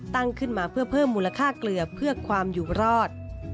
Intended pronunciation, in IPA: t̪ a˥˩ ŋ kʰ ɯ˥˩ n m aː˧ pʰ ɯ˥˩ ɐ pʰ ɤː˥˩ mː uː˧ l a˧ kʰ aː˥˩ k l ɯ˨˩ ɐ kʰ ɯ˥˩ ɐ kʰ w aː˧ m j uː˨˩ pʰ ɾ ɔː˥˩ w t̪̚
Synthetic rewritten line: t̪ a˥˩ ŋ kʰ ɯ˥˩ n m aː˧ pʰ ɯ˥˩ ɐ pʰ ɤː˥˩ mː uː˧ l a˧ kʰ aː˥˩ k l ɯ˨˩ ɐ pʰ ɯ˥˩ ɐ kʰ w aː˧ m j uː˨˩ ɾ ɔː˥˩ t̪̚